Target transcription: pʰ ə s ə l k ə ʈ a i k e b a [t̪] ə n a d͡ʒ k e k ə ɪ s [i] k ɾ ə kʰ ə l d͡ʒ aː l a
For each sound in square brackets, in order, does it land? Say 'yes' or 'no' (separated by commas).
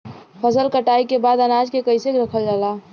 no, no